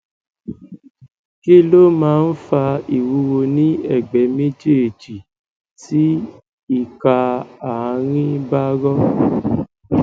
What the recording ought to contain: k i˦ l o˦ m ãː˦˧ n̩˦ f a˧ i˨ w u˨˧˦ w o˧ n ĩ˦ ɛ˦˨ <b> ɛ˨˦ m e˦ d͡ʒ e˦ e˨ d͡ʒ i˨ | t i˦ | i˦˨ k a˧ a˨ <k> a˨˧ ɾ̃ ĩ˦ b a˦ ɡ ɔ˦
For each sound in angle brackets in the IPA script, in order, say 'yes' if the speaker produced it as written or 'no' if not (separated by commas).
no, no